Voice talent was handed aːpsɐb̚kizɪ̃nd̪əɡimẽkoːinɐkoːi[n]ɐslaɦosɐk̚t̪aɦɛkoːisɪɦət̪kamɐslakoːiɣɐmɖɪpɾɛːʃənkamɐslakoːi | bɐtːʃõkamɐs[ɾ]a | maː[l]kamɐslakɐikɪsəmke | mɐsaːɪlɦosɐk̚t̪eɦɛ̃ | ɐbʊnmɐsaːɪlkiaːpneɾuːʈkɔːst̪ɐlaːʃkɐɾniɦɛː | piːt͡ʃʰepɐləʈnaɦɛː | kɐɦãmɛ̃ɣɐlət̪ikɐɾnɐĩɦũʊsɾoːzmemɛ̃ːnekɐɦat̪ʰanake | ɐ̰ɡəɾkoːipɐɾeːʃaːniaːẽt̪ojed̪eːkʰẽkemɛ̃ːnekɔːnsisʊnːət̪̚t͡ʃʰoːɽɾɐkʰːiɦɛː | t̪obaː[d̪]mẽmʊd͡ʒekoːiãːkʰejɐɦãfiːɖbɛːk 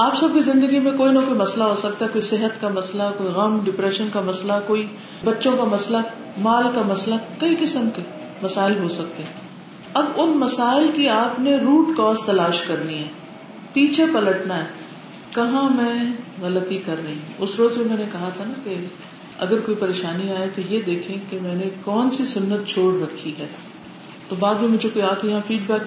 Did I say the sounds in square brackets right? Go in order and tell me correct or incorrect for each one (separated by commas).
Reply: incorrect, incorrect, correct, correct